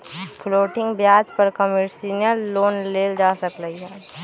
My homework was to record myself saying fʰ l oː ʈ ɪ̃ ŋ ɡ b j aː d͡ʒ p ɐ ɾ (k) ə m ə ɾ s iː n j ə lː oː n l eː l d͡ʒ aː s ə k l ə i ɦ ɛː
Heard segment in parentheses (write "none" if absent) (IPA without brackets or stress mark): k